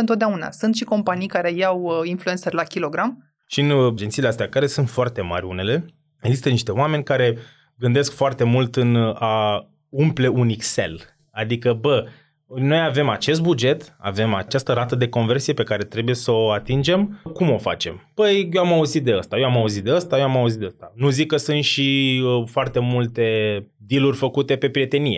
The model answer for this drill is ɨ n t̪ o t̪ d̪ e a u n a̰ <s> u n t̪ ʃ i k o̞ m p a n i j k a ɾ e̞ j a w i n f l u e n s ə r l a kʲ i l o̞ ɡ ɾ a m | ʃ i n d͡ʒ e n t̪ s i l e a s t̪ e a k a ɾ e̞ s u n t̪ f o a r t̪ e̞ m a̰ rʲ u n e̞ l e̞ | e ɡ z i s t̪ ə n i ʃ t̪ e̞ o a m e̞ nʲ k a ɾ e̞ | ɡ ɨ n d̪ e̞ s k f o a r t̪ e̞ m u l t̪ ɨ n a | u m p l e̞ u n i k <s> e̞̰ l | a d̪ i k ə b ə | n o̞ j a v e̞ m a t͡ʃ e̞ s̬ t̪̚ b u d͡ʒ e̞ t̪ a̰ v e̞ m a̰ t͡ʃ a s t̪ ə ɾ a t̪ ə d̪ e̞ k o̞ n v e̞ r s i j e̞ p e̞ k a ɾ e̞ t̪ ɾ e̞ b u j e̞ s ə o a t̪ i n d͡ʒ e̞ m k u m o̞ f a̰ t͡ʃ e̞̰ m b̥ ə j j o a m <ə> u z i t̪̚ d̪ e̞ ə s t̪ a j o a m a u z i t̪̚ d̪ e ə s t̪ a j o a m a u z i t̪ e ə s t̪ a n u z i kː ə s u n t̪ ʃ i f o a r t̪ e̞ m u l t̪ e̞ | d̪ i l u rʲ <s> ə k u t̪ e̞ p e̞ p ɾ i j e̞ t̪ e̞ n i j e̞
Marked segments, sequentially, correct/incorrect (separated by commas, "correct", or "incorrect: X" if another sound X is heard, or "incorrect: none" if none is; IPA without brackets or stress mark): correct, correct, incorrect: a, incorrect: f